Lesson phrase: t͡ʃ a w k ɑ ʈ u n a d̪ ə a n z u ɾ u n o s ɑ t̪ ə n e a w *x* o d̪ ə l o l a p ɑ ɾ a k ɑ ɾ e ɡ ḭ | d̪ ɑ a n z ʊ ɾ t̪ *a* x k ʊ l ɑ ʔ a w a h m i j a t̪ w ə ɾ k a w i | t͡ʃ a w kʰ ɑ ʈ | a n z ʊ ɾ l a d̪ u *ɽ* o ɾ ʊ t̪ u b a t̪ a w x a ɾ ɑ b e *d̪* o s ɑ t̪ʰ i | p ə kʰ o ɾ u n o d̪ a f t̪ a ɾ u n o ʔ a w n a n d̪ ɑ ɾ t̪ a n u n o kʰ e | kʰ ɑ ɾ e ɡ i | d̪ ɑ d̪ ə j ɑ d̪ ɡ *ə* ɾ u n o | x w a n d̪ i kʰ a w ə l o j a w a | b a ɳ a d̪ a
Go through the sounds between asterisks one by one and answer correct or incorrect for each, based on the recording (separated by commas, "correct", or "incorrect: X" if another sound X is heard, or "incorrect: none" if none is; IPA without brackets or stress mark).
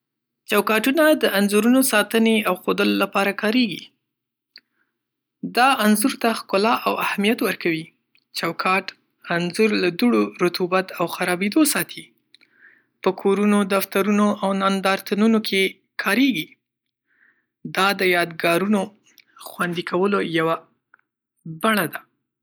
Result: correct, correct, correct, correct, incorrect: ɑ